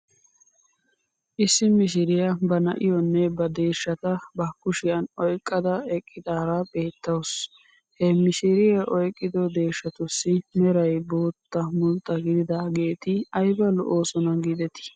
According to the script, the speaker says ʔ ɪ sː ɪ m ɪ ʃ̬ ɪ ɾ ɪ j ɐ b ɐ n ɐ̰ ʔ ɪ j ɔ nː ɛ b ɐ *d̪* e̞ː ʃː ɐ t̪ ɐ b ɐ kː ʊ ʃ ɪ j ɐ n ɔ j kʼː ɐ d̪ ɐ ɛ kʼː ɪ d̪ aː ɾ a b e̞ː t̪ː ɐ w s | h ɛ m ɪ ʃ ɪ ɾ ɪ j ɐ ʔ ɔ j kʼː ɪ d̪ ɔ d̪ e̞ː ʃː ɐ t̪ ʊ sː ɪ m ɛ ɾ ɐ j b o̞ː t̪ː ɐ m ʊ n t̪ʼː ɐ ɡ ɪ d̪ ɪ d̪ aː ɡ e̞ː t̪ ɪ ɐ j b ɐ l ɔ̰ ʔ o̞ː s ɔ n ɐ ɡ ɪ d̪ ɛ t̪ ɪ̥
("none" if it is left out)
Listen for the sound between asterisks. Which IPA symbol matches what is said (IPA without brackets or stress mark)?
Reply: d̪